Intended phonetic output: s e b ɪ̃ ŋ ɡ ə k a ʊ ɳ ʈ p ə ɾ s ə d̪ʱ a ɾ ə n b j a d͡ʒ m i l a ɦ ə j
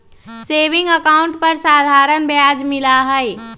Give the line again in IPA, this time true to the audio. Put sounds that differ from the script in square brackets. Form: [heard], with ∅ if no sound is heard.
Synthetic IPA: s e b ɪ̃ ŋ ɡ ə k a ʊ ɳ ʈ p ə ɾ s [a] d̪ʱ a ɾ ə n b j a d͡ʒ m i l a ɦ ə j